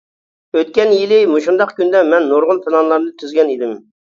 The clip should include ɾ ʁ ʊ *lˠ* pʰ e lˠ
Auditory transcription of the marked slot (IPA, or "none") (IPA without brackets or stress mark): lˠ